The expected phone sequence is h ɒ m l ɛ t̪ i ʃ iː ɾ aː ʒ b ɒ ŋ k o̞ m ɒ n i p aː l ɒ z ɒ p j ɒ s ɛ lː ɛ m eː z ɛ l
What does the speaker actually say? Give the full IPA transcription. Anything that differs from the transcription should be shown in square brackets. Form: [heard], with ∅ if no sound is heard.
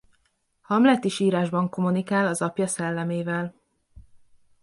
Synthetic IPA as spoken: h ɒ m l ɛ t̪ i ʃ iː ɾ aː ʒ b ɒ ŋ k o̞ m [u] n i [k] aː l ɒ z ɒ p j ɒ s ɛ lː ɛ m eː [v] ɛ l